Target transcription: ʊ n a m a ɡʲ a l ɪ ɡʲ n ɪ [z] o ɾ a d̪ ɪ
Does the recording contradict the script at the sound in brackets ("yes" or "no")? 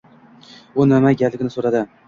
yes